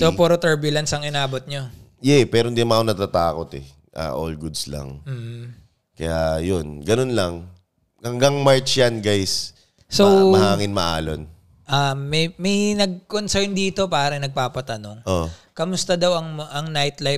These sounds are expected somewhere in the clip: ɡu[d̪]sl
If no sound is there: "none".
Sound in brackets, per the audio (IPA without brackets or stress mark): d̪